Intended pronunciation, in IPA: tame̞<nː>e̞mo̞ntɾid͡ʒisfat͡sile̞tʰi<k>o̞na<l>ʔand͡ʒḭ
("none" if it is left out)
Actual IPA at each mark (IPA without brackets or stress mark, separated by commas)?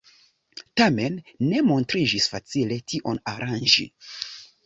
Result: nː, ʔ, ɾ